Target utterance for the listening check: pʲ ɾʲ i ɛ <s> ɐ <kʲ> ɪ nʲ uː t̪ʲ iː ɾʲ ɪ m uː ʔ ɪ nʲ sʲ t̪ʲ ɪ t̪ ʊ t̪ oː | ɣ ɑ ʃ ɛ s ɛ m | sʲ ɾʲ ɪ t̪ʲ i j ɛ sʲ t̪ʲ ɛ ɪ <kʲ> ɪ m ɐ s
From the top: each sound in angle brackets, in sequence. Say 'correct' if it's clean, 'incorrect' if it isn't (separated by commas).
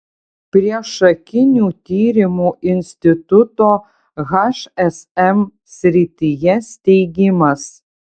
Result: incorrect, correct, incorrect